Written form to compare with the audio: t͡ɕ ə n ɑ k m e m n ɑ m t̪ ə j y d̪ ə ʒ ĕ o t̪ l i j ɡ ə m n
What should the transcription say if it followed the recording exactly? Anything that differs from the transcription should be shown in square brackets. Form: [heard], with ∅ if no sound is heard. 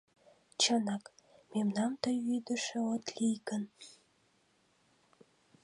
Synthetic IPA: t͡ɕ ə n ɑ k m e m n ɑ m t̪ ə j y d̪ ə [ʃ] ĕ o t̪ l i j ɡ ə [∅] n